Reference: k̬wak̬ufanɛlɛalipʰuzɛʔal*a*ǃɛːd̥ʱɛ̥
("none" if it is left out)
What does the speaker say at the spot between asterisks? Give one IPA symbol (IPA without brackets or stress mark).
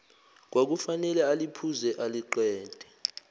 i